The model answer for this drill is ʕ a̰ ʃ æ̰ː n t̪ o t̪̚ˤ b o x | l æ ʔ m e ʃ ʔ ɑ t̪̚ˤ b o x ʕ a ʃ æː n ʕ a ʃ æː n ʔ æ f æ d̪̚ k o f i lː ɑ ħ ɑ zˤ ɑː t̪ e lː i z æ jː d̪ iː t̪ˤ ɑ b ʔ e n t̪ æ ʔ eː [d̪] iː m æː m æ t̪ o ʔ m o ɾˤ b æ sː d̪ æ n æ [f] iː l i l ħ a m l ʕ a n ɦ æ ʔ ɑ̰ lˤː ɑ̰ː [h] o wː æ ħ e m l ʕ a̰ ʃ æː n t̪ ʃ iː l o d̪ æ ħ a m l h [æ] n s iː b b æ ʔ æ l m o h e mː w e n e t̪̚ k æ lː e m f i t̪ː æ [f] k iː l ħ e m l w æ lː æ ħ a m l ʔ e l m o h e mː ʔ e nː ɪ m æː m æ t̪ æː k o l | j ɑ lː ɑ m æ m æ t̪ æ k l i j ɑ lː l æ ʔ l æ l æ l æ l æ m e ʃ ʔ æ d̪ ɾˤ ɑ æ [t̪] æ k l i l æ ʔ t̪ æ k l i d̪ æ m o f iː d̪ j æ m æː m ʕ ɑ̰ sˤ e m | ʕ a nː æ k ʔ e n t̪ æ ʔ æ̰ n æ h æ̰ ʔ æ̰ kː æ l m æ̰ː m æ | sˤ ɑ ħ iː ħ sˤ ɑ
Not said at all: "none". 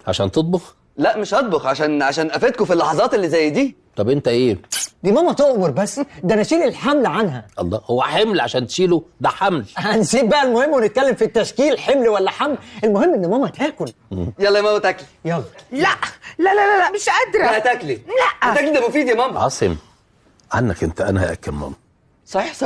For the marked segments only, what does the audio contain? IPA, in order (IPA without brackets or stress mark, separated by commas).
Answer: d̪, ʃ, h, æ, ʃ, t̪